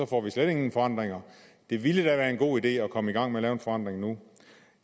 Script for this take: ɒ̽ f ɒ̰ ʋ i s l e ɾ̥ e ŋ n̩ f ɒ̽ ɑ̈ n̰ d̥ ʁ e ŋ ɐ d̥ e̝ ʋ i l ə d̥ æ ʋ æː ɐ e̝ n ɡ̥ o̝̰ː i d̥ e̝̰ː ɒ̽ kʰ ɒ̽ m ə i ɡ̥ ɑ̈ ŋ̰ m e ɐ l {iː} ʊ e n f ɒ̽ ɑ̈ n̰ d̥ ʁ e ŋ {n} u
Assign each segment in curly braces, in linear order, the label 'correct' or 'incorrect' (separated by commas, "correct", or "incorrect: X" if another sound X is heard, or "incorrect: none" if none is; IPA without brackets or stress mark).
incorrect: ɛː, correct